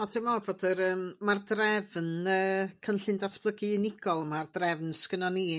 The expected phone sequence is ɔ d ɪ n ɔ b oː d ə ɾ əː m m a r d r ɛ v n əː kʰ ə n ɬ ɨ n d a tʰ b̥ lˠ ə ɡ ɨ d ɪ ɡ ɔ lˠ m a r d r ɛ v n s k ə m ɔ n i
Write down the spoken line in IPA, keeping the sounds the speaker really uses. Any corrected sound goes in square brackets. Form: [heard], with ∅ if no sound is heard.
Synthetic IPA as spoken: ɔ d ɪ [m] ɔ b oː d ə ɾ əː m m a r d r ɛ v n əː kʰ ə n ɬ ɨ n d a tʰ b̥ lˠ ə ɡ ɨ [n] ɪ ɡ ɔ lˠ m a r d r ɛ v n s k ə [n] ɔ n i